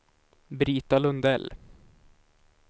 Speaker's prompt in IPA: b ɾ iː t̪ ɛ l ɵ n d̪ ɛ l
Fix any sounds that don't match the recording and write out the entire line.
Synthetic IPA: b ɾ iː t̪ a l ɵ n d̪ ɛ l

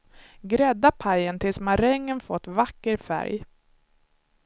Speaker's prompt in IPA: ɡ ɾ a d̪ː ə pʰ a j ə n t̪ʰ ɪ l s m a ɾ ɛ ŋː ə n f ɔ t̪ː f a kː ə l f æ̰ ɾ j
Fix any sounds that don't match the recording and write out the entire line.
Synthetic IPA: ɡ ɾ ɛ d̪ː a pʰ a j ə n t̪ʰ ɪ l s m a ɾ ɛ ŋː ə n f ɔ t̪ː v a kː ə ɾ f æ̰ ɾ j

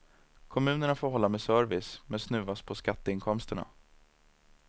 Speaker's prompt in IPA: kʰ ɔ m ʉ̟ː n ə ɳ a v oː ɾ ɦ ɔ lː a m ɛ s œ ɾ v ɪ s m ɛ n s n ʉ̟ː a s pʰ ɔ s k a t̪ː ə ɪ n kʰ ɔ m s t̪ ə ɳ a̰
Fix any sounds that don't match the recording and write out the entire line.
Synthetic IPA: kʰ ɔ m ʉ̟ː n ə ɳ a f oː ɾ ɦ ɔ lː a m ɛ s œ ɾ v ɪ s m ɛ n s n ʉ̟ː a s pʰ ɔ s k a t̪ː ə ɪ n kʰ ɔ m s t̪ ə ɳ a̰

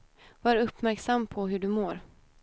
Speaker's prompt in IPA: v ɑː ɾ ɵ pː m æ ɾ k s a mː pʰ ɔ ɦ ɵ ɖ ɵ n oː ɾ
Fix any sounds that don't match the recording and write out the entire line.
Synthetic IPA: v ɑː ɾ ɵ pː m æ ɾ k s a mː pʰ ɔ ɦ ɵ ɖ ɵ m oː ɾ

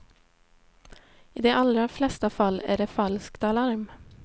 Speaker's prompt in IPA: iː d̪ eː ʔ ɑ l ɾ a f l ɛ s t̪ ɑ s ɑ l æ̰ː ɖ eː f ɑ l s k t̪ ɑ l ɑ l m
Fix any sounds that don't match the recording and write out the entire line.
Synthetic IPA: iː d̪ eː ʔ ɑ l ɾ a f l ɛ s t̪ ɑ f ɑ l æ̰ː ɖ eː f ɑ l s k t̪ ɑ l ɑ ɾ m

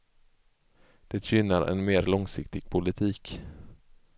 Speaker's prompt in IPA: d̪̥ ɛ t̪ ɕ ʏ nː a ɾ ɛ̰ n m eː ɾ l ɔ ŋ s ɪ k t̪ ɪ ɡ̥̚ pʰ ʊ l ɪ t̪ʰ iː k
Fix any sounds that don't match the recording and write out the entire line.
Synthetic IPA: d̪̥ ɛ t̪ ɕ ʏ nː a ɾ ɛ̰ n m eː ɾ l ɔ ŋ s ɪ k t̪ ɪ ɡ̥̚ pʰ ʊ l ɪ t̪ʰ iː k

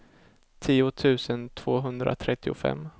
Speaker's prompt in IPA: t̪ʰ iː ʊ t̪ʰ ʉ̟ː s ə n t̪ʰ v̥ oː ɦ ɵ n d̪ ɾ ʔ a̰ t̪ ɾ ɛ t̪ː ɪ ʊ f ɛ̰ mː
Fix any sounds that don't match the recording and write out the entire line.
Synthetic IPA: t̪ʰ iː ʊ t̪ʰ ʉ̟ː s ə n t̪ʰ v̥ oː ɦ ɵ n d̪ ɾ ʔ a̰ t̪ʰ ɾ ɛ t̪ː ɪ ʊ f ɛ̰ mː

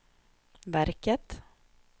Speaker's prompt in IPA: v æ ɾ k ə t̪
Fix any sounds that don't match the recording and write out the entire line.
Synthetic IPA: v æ ɾ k ə t̪

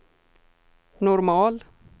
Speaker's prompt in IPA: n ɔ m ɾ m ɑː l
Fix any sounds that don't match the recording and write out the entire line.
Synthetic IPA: n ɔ ɾ m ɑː l

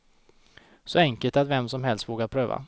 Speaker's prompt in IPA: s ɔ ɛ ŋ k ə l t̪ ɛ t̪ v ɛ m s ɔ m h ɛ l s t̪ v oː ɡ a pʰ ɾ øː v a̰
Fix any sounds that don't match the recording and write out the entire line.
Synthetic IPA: s ɔ ɛ ŋ k ə l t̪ a t̪ v ɛ m s ɔ m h ɛ l s t̪ v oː ɡ a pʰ ɾ øː v a̰

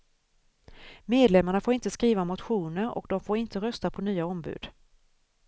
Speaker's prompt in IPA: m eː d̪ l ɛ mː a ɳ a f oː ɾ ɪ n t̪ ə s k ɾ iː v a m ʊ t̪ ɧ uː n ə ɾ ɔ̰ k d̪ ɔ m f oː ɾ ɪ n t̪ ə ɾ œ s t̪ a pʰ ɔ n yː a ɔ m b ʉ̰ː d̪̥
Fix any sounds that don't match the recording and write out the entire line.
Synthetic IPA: m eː d̪ l ɛ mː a ɳ a f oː ɾ ɪ n t̪ ə s k ɾ iː v a m ʊ t̪ ɧ uː n ə ɾ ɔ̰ k d̪ ɔ m f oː ɾ ɪ n t̪ ə ɾ œ s t̪ a pʰ ɔ n yː a ɔ m b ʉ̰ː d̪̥

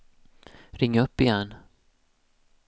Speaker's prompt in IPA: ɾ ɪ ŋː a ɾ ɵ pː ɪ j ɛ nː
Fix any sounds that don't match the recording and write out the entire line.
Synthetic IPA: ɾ ɪ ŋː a ɵ pː ɪ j ɛ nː

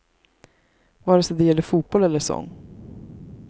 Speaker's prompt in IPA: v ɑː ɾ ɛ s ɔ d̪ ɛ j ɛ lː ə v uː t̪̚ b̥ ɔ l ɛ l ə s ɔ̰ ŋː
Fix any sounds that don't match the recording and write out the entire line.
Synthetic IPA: v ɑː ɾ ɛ s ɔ d̪ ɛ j ɛ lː ə f uː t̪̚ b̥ ɔ l ɛ lː ə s ɔ̰ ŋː

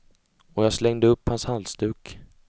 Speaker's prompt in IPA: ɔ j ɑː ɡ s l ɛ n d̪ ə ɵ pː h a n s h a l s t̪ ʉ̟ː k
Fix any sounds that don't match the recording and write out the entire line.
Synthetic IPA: ɔ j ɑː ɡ s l ɛ ŋ d̪ ə ɵ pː h a n s h a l s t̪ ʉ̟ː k

